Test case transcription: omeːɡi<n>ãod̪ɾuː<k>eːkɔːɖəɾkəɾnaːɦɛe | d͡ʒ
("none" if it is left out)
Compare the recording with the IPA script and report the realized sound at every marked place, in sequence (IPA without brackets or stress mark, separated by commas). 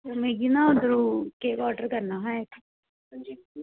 n, k